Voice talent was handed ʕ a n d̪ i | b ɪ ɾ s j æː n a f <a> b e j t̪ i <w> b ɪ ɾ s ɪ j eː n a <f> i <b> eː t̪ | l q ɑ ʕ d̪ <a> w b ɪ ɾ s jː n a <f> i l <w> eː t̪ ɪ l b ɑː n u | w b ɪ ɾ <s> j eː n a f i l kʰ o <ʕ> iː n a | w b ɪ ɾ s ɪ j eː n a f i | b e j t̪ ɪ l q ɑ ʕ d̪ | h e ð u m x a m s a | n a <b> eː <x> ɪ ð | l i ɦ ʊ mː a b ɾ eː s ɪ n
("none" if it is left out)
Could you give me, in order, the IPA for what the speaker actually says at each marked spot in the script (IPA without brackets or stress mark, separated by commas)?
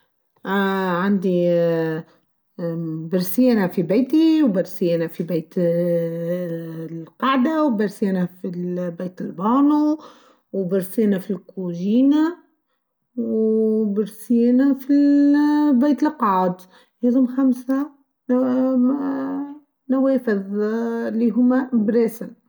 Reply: i, w, f, b, a, f, b, s, ʒ, w, f